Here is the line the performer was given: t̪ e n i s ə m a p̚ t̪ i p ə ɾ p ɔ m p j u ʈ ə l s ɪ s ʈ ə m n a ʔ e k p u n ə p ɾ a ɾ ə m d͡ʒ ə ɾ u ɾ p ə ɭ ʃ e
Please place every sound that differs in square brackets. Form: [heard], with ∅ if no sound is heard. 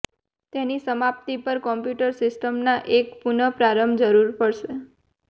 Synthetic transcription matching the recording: t̪ e n i s ə m a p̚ t̪ i p ə ɾ [k] ɔ m p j u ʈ ə [ɾ] s ɪ s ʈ ə m n a ʔ e k p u n ə p ɾ a ɾ ə m d͡ʒ ə ɾ u ɾ p ə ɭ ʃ e